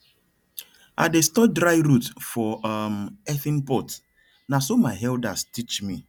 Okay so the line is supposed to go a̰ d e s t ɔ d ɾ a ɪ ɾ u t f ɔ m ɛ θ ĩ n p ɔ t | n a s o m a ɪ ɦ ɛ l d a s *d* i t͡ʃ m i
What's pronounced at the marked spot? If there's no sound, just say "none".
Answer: t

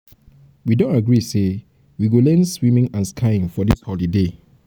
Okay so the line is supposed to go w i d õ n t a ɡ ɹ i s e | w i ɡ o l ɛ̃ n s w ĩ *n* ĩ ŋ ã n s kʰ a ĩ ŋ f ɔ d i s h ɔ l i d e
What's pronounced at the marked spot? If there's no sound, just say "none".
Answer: m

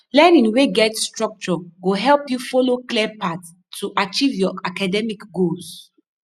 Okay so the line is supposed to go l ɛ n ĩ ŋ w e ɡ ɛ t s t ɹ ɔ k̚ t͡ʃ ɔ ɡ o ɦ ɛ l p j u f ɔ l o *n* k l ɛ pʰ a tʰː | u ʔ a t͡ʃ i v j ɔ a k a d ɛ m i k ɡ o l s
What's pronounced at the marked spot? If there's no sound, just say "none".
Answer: none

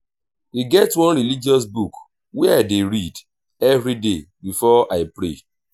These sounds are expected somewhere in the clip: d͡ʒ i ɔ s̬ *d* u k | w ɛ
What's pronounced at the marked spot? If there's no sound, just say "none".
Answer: b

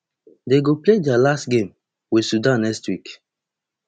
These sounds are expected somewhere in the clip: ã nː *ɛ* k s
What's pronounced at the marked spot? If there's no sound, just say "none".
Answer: ɛ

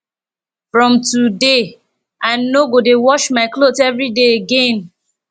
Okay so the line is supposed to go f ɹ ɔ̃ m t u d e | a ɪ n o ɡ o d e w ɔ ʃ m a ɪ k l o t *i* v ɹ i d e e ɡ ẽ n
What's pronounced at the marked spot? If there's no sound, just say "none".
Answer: ɛ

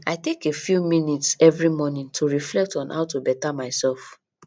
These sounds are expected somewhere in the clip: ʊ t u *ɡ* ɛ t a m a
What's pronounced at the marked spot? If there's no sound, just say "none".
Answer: b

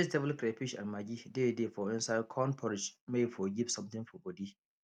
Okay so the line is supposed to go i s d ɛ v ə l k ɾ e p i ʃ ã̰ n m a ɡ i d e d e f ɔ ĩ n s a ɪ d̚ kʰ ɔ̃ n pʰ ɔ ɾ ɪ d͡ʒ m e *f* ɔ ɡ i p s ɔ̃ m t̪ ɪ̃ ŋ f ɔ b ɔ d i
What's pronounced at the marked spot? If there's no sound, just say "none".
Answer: f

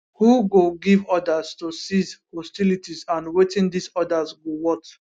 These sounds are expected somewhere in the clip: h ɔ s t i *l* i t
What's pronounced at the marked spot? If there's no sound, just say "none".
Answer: l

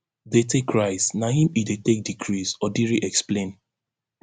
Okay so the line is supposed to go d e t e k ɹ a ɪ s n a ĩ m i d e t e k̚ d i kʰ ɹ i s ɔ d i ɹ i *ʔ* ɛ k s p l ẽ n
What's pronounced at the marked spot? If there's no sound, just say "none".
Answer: ʔ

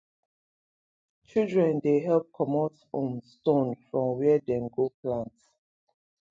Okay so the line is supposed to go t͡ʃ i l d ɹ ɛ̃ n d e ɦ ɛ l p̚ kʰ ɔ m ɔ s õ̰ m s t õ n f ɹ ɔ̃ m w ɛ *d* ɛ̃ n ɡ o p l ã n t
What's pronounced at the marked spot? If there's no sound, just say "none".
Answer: d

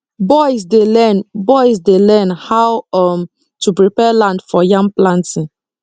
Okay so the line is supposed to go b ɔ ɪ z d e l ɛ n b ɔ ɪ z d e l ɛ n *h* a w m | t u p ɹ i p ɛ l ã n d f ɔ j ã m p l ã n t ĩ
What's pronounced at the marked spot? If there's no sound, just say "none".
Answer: h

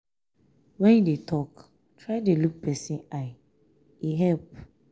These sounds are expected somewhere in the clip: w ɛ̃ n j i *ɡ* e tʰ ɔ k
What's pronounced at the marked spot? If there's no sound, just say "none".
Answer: d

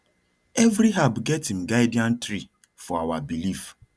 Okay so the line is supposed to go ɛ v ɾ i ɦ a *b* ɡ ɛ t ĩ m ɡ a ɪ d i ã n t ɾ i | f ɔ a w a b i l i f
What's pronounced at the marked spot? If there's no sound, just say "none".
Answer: b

